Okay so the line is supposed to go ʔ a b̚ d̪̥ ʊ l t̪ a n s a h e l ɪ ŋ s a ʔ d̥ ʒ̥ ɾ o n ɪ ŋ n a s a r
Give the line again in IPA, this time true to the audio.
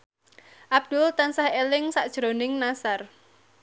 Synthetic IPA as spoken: ʔ a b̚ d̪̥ ʊ l t̪ a n s a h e l ɪ ŋ s a ʔ d̥ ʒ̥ ɾ o n ɪ ŋ n a s a r

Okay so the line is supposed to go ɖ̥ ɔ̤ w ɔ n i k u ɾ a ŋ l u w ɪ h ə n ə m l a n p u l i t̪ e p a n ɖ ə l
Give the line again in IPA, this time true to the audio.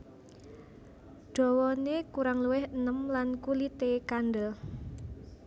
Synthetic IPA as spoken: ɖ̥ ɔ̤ w ɔ n e k u ɾ a ŋ l u w ɪ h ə n ə m l a n k u l i t̪ e k a n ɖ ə l

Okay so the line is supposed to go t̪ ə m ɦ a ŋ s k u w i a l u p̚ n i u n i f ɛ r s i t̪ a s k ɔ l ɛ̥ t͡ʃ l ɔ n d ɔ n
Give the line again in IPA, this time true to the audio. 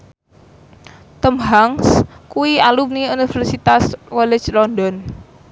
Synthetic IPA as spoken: t̪ ə m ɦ a ŋ s k u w i a l u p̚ n i u n i f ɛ r s i t̪ a s k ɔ l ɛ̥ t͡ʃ l ɔ n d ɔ n

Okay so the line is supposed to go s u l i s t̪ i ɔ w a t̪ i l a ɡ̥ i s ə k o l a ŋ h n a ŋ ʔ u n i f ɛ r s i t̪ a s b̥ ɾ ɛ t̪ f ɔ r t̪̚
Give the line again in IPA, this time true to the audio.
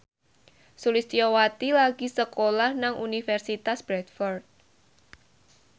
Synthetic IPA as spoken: s u l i s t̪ i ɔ w a t̪ i l a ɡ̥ i s ə k o l a h n a ŋ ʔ u n i f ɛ r s i t̪ a s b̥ ɾ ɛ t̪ f ɔ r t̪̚

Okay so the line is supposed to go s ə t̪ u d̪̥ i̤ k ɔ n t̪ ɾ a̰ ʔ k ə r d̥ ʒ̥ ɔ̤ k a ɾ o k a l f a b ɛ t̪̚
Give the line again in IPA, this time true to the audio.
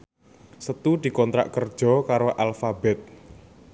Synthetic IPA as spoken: s ə t̪ u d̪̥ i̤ k ɔ n t̪ ɾ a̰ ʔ k ə r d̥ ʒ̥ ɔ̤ k a ɾ o ʔ a l f a b ɛ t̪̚

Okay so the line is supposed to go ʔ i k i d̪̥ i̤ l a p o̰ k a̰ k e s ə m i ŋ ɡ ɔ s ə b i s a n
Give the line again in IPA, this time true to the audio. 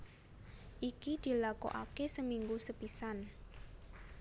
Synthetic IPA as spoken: ʔ i k i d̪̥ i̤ l a k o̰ ʔ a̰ k e s ə m i ŋ ɡ u s ə p i s a n

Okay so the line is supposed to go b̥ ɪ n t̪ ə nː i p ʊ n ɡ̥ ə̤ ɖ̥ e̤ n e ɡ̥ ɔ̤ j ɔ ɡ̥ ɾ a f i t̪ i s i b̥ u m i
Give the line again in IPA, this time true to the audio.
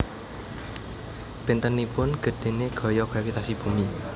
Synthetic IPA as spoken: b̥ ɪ n t̪ ə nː i p ʊ n ɡ̥ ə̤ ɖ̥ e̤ n e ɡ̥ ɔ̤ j ɔ ɡ̥ ɾ a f i t̪ a s i b̥ u m i

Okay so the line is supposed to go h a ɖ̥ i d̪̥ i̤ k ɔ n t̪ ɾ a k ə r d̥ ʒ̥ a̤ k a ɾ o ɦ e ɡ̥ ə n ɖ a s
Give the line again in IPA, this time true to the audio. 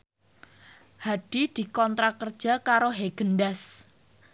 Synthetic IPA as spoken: h a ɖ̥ i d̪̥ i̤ k ɔ n t̪ ɾ a k ə r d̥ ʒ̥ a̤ k a ɾ o ɦ e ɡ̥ ə n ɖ a s

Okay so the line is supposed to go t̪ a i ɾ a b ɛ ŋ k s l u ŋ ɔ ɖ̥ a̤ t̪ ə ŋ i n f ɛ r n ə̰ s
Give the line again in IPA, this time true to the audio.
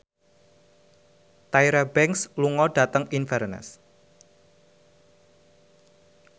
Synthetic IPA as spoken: t̪ a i ɾ a b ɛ ŋ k s l u ŋ ɔ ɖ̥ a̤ t̪ ə ŋ i n f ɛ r n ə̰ s

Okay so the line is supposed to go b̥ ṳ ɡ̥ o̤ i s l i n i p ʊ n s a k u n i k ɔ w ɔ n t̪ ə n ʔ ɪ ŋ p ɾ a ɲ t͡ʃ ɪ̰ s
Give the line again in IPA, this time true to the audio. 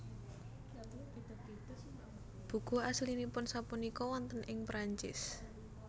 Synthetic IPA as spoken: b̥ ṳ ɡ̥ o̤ a s l i n i p ʊ n s a p u n i k ɔ w ɔ n t̪ ə n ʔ ɪ ŋ p ɾ a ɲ t͡ʃ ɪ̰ s

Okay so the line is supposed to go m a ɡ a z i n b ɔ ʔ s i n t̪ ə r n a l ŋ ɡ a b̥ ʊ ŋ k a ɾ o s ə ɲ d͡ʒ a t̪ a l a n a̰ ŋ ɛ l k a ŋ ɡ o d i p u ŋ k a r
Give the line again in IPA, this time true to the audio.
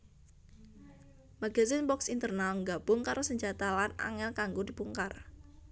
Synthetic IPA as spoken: m a ɡ a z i n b ɔ k s i n t̪ ə r n a l ŋ ɡ a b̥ ʊ ŋ k a ɾ o s ə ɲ d͡ʒ a t̪ a l a n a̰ ŋ ɛ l k a ŋ ɡ o d i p u ŋ k a r

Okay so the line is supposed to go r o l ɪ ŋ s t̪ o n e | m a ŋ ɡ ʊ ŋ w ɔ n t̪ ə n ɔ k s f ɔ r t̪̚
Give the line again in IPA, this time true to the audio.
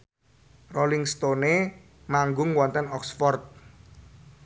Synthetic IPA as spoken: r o l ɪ ŋ s t̪ o n e | m a ŋ ɡ ʊ ŋ w ɔ n t̪ ə n ɔ k s f ɔ r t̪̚

